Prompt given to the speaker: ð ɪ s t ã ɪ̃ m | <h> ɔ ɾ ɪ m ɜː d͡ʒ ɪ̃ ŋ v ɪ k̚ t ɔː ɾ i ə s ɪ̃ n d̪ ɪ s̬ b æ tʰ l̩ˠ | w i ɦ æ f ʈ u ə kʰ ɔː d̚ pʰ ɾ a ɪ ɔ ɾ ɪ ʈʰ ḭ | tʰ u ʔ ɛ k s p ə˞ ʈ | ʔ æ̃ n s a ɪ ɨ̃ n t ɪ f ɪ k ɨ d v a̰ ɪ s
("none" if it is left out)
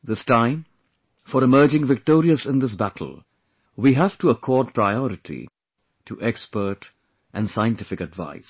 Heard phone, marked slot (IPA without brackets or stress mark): f